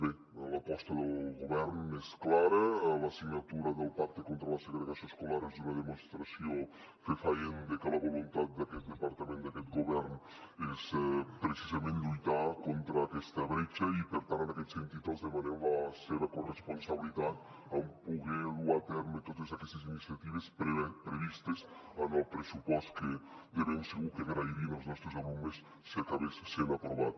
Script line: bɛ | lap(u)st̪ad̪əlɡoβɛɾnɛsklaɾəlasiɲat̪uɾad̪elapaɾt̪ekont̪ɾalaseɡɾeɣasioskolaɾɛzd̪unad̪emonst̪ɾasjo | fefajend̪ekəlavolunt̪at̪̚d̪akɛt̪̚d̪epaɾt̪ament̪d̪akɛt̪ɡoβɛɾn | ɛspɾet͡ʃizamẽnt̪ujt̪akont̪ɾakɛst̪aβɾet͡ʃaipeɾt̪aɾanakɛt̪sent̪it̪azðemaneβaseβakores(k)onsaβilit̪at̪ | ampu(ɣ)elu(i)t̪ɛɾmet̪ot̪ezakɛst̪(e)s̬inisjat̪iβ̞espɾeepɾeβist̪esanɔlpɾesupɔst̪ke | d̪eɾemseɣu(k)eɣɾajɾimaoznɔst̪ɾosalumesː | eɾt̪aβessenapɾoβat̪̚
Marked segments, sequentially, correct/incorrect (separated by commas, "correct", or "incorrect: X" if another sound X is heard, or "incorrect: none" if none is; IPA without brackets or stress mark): incorrect: ɔ, incorrect: p, correct, incorrect: a, correct, correct